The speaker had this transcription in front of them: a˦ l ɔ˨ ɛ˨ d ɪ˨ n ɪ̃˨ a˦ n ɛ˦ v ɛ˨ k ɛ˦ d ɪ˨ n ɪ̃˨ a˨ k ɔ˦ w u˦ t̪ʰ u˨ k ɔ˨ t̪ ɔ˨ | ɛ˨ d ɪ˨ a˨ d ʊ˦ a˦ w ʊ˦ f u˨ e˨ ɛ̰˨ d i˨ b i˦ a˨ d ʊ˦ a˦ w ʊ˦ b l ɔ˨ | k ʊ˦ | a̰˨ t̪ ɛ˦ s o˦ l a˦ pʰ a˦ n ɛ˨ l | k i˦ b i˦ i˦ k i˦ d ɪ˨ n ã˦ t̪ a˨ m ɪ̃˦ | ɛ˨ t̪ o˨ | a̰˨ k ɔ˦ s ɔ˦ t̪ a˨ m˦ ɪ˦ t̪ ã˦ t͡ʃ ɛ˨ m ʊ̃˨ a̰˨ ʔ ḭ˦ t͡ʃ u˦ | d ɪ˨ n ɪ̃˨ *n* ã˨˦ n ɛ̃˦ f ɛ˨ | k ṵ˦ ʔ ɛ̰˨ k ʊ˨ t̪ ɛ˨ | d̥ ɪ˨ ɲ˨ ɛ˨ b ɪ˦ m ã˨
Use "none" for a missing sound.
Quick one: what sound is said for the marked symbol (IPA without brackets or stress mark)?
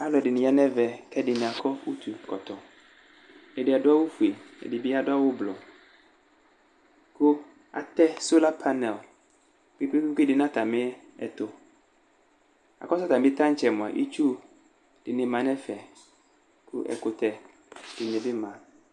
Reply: m